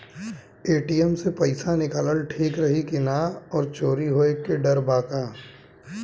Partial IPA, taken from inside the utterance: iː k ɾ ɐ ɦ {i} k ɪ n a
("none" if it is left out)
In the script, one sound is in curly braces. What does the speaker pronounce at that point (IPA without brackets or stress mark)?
i